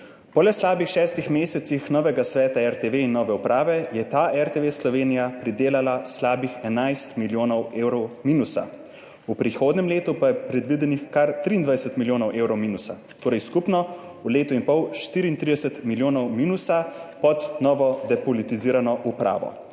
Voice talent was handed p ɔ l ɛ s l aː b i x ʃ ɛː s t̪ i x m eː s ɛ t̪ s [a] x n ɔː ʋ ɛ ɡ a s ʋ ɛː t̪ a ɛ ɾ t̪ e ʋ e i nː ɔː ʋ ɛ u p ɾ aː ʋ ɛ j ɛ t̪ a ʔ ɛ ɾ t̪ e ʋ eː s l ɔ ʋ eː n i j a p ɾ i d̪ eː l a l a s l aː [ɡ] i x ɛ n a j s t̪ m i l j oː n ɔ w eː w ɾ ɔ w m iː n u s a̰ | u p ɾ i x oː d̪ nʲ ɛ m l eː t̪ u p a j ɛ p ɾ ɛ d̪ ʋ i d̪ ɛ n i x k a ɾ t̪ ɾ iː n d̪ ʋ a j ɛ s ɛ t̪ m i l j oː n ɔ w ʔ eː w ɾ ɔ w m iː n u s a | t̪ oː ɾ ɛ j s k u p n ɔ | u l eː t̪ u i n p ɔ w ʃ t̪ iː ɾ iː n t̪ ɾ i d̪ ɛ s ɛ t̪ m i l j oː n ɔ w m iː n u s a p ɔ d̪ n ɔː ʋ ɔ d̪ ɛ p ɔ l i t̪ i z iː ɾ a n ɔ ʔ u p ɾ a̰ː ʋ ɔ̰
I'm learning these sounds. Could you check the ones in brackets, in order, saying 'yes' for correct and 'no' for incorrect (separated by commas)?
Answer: no, no